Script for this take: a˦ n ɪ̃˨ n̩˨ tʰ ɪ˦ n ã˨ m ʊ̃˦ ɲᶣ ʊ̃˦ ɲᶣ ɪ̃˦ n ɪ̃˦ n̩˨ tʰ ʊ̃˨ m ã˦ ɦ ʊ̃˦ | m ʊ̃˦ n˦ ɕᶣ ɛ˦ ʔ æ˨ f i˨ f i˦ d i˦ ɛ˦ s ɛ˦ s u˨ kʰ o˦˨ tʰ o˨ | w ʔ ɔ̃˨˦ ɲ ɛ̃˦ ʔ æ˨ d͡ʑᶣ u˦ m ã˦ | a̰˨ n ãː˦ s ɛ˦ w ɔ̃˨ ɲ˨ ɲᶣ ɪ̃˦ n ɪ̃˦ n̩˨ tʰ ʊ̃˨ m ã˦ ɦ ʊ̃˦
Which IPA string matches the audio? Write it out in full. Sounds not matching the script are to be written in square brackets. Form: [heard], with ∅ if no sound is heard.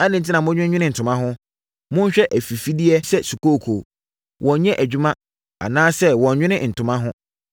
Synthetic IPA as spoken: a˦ n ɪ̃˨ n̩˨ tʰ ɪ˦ n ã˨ m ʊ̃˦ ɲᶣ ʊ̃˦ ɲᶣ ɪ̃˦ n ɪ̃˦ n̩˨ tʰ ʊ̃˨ m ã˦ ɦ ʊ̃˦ | m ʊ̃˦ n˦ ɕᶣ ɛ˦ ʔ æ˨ f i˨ f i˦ d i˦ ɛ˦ s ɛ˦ s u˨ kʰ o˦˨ [kʰ] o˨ | w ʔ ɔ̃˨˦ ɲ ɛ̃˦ ʔ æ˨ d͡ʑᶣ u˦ m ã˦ | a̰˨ n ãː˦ s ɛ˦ w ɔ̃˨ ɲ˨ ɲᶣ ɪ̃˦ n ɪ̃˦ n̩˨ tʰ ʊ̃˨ m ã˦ ɦ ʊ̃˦

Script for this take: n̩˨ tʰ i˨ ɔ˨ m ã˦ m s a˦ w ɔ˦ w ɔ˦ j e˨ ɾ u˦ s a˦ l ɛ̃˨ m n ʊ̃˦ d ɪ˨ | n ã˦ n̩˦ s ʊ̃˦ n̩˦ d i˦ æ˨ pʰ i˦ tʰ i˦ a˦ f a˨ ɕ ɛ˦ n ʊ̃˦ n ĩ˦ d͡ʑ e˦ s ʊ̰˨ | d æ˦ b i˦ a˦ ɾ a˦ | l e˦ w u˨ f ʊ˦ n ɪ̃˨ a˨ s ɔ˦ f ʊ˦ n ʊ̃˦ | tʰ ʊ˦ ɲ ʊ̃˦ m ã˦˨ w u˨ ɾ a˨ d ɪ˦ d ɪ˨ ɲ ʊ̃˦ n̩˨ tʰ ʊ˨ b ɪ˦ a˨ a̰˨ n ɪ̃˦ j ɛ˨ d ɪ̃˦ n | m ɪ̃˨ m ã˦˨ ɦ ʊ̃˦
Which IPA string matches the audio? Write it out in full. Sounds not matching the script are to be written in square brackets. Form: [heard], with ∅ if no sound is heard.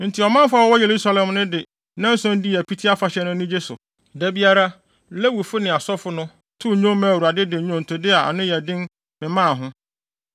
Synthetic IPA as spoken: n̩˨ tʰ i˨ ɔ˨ m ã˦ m [f] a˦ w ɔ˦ w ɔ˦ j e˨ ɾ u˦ s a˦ l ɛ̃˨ m n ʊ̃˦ d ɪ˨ | n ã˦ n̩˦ s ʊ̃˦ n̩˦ d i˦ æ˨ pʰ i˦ tʰ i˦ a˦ f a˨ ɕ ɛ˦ n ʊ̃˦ n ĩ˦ d͡ʑ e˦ s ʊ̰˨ | d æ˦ b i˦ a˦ ɾ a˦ | l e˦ w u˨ f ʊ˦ n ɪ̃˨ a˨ s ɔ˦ f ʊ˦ n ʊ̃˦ | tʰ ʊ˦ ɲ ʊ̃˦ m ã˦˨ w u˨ ɾ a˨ d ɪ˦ d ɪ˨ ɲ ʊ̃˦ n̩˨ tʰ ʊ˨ [d] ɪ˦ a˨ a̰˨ n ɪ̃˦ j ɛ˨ d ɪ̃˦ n | m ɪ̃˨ m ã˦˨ ɦ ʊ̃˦

